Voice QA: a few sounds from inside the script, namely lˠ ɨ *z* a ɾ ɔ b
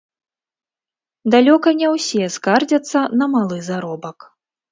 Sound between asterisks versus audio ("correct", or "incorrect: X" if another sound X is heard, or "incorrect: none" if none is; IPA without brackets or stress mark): correct